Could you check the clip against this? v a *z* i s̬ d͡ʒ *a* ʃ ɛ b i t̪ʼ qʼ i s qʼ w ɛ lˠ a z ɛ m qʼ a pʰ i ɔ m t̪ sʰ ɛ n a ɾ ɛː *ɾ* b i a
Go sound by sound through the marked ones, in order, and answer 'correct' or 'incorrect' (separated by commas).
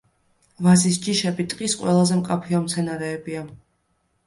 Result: correct, incorrect, incorrect